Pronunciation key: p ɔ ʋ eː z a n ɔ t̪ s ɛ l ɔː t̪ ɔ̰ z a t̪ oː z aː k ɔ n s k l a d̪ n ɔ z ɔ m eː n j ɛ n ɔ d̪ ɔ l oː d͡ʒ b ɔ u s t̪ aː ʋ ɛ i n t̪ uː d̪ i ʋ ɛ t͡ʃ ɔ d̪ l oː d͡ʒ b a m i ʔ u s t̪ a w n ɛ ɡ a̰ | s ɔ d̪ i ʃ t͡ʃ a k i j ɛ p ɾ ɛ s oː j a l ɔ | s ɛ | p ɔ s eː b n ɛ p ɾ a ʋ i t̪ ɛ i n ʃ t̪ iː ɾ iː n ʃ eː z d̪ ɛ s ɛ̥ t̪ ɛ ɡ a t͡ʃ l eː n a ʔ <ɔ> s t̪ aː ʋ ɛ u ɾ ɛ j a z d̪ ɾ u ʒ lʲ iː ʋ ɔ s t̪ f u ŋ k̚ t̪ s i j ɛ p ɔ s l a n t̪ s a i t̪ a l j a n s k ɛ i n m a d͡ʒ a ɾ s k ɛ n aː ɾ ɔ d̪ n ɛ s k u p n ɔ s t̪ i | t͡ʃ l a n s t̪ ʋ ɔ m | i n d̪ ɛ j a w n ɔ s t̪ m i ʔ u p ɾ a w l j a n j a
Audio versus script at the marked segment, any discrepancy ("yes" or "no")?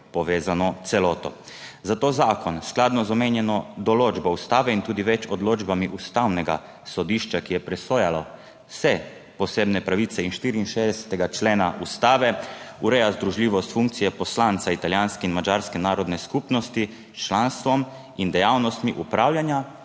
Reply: yes